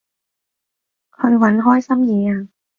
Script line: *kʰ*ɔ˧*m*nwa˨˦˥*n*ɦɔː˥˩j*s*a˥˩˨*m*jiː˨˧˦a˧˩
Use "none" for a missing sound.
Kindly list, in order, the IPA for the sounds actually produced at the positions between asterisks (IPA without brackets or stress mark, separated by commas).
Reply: kʰ, none, n, s, m